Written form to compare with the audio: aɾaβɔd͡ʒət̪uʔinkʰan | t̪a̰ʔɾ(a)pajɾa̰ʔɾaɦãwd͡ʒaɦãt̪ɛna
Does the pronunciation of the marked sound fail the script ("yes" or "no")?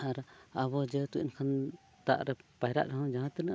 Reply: yes